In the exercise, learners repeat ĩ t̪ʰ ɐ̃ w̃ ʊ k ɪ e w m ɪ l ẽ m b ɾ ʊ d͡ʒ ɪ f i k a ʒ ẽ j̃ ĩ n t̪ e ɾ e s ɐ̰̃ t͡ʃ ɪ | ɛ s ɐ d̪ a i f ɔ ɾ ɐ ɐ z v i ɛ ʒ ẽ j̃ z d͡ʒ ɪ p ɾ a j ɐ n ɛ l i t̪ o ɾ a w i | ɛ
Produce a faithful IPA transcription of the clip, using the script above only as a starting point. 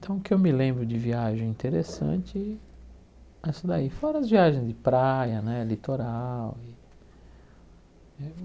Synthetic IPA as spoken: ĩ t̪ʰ ɐ̃ w̃ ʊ k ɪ e w m ɪ l ẽ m b ɾ ʊ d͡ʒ ɪ v i a ʒ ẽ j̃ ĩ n t̪ e ɾ e s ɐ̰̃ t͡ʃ ɪ | ɛ s ɐ d̪ a i f ɔ ɾ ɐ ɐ z v i a ʒ ẽ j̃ z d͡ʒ ɪ p ɾ a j ɐ n ɛ l i t̪ o ɾ a w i | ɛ

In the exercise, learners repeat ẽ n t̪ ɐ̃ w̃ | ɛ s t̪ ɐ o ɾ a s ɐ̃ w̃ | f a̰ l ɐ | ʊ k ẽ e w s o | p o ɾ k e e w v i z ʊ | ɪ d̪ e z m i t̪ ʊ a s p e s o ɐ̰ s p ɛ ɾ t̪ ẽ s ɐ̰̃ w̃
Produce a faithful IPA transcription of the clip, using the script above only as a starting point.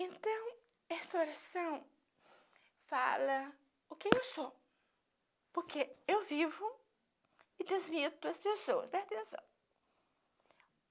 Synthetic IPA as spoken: ẽ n t̪ ɐ̃ w̃ | ɛ s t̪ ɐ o ɾ a s ɐ̃ w̃ | f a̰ l ɐ | ʊ k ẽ e w s o | p o ɾ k e e w v i v ʊ | ɪ d̪ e z m i t̪ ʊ ɐ s p e s o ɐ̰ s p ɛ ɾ t̪ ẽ s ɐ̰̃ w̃

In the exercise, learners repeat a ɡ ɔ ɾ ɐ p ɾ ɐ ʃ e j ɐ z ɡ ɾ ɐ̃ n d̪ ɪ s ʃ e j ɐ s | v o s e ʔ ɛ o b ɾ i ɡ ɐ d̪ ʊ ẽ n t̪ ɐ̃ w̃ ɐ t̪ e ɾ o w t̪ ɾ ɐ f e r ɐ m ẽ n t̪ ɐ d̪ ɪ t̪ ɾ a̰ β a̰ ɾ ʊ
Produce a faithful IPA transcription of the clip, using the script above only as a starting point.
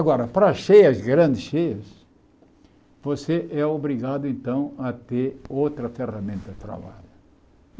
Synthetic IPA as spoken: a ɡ ɔ ɾ ɐ p ɾ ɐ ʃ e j ɐ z ɡ ɾ ɐ̃ n d̪ ɪ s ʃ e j ɐ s | v o s e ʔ ɛ o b ɾ i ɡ a d̪ ʊ ẽ n t̪ ɐ̃ w̃ ɐ t̪ e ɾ o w t̪ ɾ ɐ f e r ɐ m ẽ n t̪ ɐ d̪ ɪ t̪ ɾ a̰ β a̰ ʎ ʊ

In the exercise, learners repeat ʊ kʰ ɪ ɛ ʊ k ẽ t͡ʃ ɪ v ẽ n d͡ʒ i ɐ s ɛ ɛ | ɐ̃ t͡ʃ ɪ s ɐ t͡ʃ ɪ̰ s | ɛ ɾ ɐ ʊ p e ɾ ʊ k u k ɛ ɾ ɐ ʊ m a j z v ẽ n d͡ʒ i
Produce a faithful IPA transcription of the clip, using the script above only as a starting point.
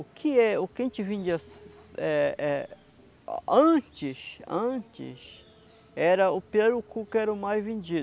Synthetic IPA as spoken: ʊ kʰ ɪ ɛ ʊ k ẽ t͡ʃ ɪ v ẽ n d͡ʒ i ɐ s ɛ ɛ | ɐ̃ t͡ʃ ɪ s ɐ̃ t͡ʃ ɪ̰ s | ɛ ɾ ɐ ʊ p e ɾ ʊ k u k ɛ ɾ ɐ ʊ m a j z v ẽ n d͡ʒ i

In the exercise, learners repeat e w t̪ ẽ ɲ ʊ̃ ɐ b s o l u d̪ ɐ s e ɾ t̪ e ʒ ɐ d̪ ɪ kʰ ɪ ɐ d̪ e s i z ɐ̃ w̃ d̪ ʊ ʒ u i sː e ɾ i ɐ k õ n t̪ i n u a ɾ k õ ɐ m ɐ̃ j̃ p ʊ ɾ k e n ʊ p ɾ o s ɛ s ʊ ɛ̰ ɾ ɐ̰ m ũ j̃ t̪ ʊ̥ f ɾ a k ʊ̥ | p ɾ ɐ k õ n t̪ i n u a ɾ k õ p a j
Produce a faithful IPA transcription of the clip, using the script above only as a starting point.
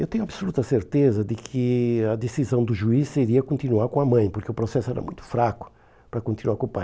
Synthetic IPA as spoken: e w t̪ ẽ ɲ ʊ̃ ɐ b s o l u t̪ ɐ s e ɾ t̪ e z ɐ d̪ ɪ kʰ ɪ ɐ d̪ e s i z ɐ̃ w̃ d̪ ʊ ʒ u i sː e ɾ i ɐ k õ n t̪ i n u a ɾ k õ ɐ m ɐ̃ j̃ p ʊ ɾ k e ʊ p ɾ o s ɛ s ʊ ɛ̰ ɾ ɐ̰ m ũ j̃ t̪ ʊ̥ f ɾ a k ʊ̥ | p ɾ ɐ k õ n t̪ i n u a ɾ k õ p a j

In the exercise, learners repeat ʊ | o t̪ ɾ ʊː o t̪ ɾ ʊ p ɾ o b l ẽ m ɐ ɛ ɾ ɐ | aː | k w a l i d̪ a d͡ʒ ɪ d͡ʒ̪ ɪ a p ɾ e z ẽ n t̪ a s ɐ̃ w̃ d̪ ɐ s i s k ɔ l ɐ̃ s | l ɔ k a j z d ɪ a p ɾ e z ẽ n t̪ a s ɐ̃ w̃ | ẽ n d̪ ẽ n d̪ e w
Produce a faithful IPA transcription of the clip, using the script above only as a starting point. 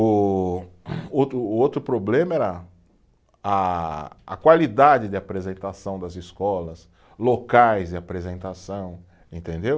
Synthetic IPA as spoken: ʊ | o t̪ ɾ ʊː o t̪ ɾ ʊ p ɾ o b l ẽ m ɐ ɛ ɾ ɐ | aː | k w a l i d̪ a d͡ʒ ɪ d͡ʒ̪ ɪ a p ɾ e z ẽ n t̪ a s ɐ̃ w̃ d̪ ɐ z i s k ɔ l ɐ s | l o k a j z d ɪ a p ɾ e z ẽ n t̪ a s ɐ̃ w̃ | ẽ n t̪ ẽ n d̪ e w

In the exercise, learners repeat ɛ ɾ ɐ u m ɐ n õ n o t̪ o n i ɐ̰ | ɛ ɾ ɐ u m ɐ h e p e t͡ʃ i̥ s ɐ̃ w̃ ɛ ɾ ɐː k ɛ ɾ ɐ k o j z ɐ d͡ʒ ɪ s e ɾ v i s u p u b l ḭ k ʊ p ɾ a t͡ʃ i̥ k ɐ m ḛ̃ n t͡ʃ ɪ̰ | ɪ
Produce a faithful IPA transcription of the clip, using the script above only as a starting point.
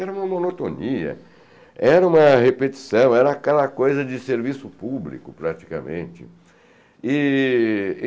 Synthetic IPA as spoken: ɛ ɾ ɐ ũ m ɐ m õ n o t̪ o n i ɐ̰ | ɛ ɾ ɐ ũ m ɐ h e p e t͡ʃ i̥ s ɐ̃ w̃ ɛ ɾ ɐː k ɛ l ɐ k o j z ɐ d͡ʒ ɪ s e ɾ v i s ʊ p u b l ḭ k ʊ p ɾ a t͡ʃ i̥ k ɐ m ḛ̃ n t͡ʃ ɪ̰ | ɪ

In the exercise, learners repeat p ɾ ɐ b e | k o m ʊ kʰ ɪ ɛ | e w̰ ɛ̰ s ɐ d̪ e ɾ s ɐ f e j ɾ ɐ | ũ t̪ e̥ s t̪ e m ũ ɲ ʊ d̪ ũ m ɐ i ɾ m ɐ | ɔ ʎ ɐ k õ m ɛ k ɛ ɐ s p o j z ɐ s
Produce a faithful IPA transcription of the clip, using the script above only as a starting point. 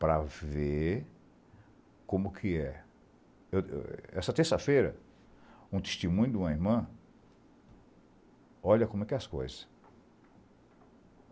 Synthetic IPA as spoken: p ɾ ɐ v e | k õ m ʊ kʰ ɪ ɛ | e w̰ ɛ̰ s ɐ t̪ e ɾ s ɐ f e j ɾ ɐ | ũ t̪ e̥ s t̪ e m ũ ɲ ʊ d̪ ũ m ɐ i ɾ m ɐ̃ | ɔ ʎ ɐ k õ m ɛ k ɛ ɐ s k o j z ɐ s

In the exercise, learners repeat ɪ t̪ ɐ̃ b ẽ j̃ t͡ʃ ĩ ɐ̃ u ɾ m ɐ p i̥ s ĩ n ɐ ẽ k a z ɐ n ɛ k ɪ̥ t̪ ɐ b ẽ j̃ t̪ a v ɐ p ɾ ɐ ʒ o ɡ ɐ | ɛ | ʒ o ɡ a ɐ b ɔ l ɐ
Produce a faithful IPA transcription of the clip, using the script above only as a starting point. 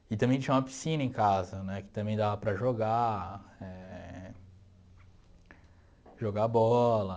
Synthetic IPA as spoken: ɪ t̪ ɐ̃ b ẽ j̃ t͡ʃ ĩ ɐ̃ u m ɐ p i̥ s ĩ n ɐ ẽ k a z ɐ n ɛ k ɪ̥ t̪ ɐ̃ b ẽ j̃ d̪ a v ɐ p ɾ ɐ ʒ o ɡ a | ɛ | ʒ o ɡ a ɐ b ɔ l ɐ

